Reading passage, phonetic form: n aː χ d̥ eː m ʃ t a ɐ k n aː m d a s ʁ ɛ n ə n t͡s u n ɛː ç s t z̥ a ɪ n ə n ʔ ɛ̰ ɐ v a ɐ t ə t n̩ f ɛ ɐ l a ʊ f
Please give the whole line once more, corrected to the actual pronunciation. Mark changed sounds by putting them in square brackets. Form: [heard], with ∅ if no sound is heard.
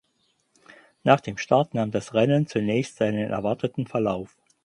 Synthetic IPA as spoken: n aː χ d̥ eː m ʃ t a ɐ [t] n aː m d a s ʁ ɛ n ə n t͡s u n ɛː ç s t z̥ a ɪ n ə n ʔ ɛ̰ ɐ v a ɐ t ə t n̩ f ɛ ɐ l a ʊ f

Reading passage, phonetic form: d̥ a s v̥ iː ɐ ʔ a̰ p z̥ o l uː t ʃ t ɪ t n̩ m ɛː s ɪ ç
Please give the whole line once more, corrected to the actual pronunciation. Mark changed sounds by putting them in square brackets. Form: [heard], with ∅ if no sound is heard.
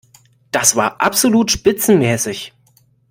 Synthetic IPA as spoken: d̥ a s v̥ [aː] ɐ ʔ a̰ p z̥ o l uː t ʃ [p] ɪ [t͡s] n̩ m ɛː s ɪ ç

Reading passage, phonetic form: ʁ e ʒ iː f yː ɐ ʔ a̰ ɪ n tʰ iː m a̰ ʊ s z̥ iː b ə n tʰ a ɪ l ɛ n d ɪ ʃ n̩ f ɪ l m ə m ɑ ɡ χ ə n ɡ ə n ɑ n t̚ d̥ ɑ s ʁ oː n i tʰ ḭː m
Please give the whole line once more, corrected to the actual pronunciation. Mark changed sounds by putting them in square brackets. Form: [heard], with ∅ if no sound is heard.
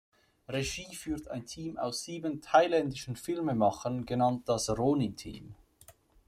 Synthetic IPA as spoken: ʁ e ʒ iː f yː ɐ [t] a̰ ɪ n tʰ iː m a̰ ʊ s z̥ iː b ə n tʰ a ɪ l ɛ n d ɪ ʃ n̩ f ɪ l m ə m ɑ [∅] χ ə n ɡ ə n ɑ n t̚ d̥ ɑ s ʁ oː n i tʰ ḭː m

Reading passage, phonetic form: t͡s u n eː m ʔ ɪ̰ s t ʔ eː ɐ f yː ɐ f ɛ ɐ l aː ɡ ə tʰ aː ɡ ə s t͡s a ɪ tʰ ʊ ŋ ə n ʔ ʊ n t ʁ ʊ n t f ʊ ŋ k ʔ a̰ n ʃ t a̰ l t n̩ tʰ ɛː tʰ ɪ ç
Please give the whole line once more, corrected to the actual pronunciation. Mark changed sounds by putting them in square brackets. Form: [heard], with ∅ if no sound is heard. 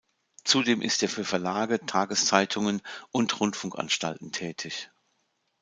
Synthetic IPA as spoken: t͡s u [d] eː m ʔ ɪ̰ s t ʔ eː ɐ f yː ɐ f ɛ ɐ l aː ɡ ə tʰ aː ɡ ə s t͡s a ɪ tʰ ʊ ŋ ə n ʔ ʊ n t ʁ ʊ n t f ʊ ŋ k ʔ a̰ n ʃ t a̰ l t n̩ tʰ ɛː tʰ ɪ ç

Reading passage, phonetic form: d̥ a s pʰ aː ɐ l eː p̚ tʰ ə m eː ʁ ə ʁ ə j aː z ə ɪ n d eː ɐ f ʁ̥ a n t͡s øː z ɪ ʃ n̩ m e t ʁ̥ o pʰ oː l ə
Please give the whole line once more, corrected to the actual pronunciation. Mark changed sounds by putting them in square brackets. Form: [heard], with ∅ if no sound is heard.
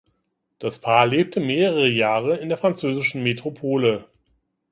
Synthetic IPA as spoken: d̥ a s pʰ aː ɐ l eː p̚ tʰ ə m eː ʁ ə ʁ ə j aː [ʁ] ə ɪ n d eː ɐ f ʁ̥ a n t͡s øː z ɪ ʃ n̩ m e t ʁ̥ o pʰ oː l ə

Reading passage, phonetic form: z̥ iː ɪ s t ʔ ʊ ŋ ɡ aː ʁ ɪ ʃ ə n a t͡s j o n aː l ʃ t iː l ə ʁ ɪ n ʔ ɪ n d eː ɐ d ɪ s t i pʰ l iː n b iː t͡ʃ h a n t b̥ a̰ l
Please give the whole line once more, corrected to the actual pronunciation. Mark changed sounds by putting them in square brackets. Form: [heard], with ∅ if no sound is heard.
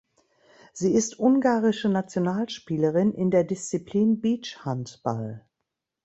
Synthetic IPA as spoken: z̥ iː ɪ s t ʔ ʊ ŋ ɡ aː ʁ ɪ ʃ ə n a t͡s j o n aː l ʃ [p] iː l ə ʁ ɪ n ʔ ɪ n d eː ɐ d ɪ s [t͡s] i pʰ l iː n b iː t͡ʃ h a n t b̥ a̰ l

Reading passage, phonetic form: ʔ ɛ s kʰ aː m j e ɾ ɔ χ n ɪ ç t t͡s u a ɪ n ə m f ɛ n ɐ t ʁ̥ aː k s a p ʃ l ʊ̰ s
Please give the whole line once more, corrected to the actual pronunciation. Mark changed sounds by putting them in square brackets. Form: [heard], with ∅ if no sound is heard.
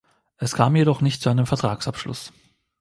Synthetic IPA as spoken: ʔ ɛ s kʰ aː m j e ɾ ɔ χ n ɪ ç t t͡s u a ɪ n ə m f ɛ [∅] ɐ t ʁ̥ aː k s a p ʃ l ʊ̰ s

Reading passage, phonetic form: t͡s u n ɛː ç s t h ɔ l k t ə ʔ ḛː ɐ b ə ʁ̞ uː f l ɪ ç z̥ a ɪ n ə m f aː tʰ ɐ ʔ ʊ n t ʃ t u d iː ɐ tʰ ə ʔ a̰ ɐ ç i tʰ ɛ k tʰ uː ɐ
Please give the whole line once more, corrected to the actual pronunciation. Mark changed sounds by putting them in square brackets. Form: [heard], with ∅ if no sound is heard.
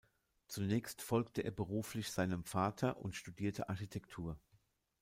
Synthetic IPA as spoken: t͡s u n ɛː ç s t [f] ɔ l k t ə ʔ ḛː ɐ b ə ʁ̞ uː f l ɪ ç z̥ a ɪ n ə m f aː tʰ ɐ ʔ ʊ n t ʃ t u d iː ɐ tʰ ə ʔ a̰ ɐ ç i tʰ ɛ k tʰ uː ɐ

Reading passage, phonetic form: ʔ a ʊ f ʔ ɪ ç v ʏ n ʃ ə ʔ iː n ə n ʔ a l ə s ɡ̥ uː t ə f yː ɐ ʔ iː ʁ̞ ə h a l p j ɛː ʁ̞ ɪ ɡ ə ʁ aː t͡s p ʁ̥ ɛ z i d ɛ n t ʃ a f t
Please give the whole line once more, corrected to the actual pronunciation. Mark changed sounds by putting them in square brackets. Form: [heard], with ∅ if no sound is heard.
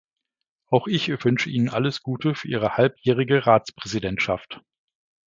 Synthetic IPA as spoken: ʔ a ʊ [x] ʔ ɪ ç v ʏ n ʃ ə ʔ iː n ə n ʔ a l ə s ɡ̥ uː t ə f yː ɐ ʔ iː ʁ̞ ə h a l p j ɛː ʁ̞ ɪ ɡ ə ʁ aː t͡s p ʁ̥ ɛ z i d ɛ n t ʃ a f t

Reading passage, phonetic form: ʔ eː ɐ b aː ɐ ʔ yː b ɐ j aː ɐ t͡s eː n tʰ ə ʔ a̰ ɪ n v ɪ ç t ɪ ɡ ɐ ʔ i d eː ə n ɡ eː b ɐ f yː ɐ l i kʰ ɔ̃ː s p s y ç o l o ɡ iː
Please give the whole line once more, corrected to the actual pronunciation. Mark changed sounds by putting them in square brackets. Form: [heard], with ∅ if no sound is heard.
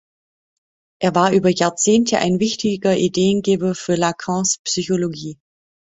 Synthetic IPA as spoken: ʔ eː ɐ [v] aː ɐ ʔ yː b ɐ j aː ɐ t͡s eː n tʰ ə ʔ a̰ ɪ n v ɪ ç t ɪ ɡ ɐ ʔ i d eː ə n ɡ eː b ɐ f yː ɐ l [a] kʰ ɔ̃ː s p s y ç o l o ɡ iː

